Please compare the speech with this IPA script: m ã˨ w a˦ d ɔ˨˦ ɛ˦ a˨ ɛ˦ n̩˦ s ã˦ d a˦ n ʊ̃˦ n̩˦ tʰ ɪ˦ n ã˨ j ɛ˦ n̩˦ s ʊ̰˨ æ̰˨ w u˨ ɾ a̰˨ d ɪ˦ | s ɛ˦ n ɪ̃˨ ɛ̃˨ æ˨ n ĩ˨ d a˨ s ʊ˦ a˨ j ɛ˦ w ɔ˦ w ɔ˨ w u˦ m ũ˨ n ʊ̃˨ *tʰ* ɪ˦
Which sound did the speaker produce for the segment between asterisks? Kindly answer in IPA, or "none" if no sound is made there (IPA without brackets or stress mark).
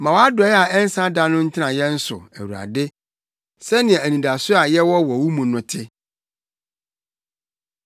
tʰ